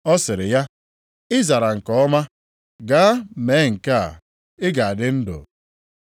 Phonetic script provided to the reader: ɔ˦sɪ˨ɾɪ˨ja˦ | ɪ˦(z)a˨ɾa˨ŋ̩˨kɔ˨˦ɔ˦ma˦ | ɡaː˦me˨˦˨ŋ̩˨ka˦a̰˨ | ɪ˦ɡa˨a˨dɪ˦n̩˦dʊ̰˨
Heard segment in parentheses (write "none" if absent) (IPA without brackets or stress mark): z